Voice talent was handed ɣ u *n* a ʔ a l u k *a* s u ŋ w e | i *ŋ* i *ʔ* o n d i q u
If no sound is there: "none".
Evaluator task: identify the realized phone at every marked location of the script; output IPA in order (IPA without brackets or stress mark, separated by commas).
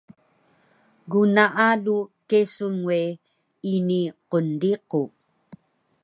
n, e, n, q